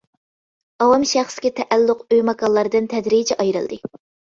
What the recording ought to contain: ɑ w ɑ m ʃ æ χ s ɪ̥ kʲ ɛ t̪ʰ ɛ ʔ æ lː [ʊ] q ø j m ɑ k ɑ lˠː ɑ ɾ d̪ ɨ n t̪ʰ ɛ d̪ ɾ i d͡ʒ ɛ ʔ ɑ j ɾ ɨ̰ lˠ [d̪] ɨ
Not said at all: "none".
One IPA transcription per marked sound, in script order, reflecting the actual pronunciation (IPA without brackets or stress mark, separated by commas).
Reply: ʊ, d̪